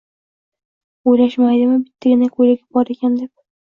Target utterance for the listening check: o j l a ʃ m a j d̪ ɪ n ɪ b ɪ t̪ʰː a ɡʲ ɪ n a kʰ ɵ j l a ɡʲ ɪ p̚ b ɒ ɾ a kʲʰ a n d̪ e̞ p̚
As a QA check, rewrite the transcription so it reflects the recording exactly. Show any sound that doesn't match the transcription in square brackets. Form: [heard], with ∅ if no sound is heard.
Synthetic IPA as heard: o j l a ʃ m a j d̪ ɪ [m] ɪ b ɪ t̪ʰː a ɡʲ ɪ n a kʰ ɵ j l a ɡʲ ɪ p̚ b ɒ ɾ [e] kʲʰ a n d̪ e̞ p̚